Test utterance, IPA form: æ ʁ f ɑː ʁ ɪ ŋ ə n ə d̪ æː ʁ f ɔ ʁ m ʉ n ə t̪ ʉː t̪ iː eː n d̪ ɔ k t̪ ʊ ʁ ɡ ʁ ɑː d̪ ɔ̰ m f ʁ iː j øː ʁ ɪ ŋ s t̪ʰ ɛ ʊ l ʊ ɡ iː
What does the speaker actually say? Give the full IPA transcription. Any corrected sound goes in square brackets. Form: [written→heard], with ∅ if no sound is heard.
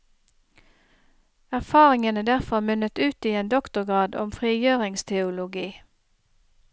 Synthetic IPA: æ ʁ f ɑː ʁ ɪ ŋ ə n ə d̪ [æː→æ] ʁ f ɔ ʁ m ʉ n ə t̪ ʉː t̪ iː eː n d̪ ɔ k t̪ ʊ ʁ ɡ ʁ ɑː d̪ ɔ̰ m f ʁ iː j øː ʁ ɪ ŋ s t̪ʰ ɛ ʊ l ʊ ɡ iː